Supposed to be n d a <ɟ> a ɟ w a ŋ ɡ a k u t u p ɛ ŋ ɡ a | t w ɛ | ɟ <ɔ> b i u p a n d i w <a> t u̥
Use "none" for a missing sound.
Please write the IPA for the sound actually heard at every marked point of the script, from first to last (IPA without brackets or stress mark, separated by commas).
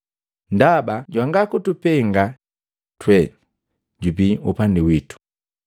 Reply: b, u, i